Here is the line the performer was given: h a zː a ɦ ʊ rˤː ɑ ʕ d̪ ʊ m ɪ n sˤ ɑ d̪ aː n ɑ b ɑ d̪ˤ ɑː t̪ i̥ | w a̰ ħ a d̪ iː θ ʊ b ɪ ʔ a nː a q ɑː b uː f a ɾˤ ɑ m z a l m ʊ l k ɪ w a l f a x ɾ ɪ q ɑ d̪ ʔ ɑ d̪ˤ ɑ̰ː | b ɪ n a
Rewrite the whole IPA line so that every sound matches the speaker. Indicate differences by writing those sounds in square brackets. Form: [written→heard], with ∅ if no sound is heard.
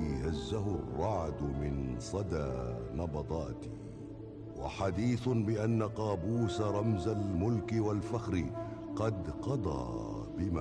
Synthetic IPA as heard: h a zː a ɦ ʊ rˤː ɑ ʕ d̪ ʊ m ɪ n sˤ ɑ d̪ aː n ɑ b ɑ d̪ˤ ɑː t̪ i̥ | w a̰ ħ a d̪ iː θ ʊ b ɪ ʔ a nː a q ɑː b uː [f→s] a ɾˤ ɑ m z a l m ʊ l k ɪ w a l f a x ɾ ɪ q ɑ d̪ [ʔ→q] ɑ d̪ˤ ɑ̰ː | b ɪ [n→m] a